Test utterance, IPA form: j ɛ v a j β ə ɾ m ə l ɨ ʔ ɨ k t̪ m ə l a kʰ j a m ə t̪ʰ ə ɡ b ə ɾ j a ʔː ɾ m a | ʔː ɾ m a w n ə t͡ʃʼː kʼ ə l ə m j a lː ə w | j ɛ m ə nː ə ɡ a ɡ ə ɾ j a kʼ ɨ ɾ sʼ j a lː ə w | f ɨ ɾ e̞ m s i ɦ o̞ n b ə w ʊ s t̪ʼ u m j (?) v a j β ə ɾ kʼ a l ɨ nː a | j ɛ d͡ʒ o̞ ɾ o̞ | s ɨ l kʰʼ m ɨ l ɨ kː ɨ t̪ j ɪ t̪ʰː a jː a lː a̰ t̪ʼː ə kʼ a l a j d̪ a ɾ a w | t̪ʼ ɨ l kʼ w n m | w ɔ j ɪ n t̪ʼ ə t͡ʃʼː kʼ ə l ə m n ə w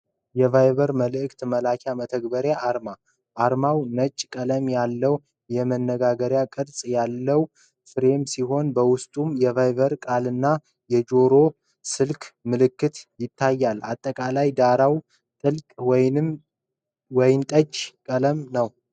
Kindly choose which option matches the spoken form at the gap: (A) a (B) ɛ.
B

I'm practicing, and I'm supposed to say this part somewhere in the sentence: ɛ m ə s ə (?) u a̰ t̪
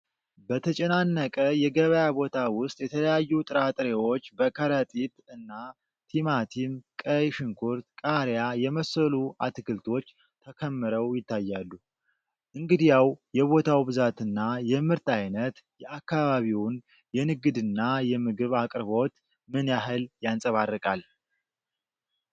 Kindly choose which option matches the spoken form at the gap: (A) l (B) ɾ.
A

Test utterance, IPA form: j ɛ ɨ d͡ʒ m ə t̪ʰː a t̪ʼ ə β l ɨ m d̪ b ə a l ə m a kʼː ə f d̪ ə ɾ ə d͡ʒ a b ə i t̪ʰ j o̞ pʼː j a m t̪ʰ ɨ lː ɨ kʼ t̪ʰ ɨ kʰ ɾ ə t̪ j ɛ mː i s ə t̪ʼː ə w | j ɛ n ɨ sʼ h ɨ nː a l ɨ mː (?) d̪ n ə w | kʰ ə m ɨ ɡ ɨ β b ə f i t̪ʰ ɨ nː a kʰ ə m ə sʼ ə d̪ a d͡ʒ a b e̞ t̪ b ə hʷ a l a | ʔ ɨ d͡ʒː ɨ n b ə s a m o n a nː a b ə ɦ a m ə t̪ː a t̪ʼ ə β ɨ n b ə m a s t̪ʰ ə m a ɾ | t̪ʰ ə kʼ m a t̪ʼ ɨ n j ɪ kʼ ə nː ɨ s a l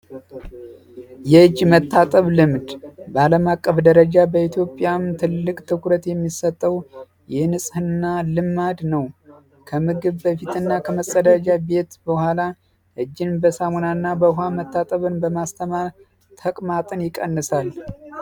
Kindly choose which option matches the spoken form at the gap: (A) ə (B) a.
B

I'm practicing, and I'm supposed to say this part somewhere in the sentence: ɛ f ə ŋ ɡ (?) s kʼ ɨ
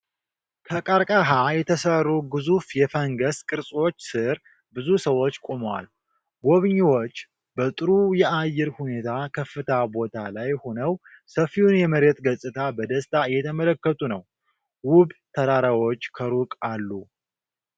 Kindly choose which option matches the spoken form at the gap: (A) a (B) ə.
B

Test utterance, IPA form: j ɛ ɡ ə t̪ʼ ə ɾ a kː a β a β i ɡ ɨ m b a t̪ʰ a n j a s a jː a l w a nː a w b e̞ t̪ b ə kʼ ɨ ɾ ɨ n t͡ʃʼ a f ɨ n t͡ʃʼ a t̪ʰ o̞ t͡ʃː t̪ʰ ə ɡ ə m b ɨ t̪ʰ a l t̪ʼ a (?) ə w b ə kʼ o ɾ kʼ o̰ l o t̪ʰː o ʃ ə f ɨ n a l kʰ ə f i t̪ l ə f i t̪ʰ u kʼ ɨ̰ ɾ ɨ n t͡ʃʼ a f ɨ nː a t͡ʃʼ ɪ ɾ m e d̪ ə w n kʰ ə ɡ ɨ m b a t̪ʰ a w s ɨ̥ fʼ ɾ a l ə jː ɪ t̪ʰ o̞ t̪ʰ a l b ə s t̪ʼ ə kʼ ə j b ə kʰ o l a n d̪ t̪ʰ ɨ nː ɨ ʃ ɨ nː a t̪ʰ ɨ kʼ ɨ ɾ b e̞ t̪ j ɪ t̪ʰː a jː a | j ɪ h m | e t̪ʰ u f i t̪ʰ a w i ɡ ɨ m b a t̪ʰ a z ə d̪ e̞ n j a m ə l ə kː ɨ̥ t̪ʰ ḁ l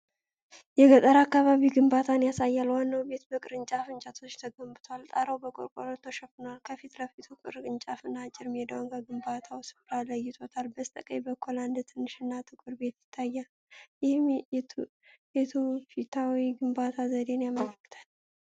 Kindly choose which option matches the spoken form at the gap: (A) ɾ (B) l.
A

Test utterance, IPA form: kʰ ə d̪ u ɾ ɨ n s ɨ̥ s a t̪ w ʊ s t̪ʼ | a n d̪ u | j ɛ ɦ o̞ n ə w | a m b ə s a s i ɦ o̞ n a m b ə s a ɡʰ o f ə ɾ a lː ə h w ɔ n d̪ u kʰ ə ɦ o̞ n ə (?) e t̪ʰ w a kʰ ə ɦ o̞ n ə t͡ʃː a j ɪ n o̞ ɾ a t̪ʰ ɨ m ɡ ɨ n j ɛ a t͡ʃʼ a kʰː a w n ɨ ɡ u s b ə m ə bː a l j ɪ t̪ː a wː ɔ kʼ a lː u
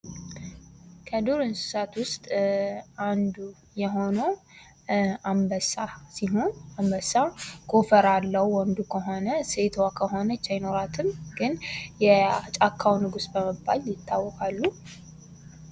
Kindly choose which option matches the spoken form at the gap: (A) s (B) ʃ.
A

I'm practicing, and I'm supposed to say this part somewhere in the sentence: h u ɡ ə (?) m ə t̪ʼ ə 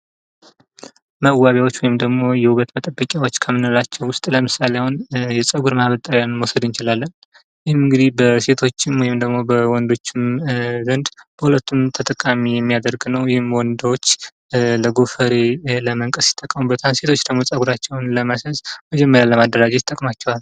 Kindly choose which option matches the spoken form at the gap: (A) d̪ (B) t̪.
B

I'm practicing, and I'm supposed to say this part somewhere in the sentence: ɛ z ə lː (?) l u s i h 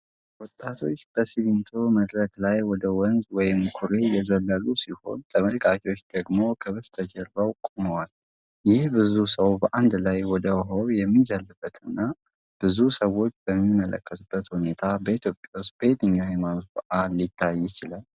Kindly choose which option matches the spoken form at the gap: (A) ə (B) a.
A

